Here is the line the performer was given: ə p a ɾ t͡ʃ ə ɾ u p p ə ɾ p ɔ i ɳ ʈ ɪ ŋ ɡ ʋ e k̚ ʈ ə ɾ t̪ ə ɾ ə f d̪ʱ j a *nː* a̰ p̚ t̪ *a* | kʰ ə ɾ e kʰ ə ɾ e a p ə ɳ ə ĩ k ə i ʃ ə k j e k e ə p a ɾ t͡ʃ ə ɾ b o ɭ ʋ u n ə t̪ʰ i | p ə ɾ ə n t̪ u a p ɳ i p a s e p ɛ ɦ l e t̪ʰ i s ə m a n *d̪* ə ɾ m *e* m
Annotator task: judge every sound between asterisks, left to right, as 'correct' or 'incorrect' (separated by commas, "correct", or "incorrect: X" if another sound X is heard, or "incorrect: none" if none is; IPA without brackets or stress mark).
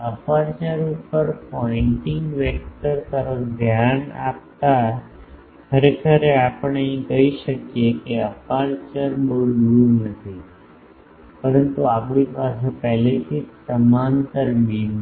incorrect: n, correct, incorrect: t̪, incorrect: i